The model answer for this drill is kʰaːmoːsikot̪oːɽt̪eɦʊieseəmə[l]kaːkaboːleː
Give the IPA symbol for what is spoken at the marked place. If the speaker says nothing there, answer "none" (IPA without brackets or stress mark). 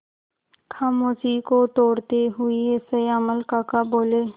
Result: l